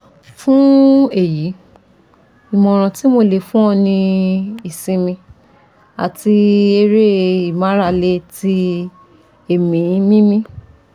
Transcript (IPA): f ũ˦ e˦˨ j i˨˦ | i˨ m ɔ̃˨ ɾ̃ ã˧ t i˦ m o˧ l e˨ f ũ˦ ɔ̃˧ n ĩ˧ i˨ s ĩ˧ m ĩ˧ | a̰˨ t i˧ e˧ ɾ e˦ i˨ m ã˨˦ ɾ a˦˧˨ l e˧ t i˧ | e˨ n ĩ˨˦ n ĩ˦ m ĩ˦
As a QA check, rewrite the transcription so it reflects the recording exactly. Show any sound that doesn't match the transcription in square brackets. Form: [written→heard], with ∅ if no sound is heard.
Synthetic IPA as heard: f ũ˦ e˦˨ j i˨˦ | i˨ m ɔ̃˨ ɾ̃ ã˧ t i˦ m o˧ l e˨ f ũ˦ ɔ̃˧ n ĩ˧ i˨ s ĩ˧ m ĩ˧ | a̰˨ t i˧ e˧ ɾ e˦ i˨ m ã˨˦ ɾ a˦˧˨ l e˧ t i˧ | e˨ [n→m] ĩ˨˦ [n→m] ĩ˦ m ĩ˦